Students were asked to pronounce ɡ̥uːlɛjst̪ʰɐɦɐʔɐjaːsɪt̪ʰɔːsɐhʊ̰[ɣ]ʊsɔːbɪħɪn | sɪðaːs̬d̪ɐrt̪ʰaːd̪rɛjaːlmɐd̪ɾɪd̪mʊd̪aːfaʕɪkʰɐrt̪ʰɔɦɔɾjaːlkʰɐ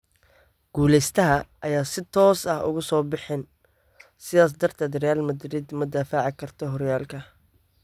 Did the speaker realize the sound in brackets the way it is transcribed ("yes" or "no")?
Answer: yes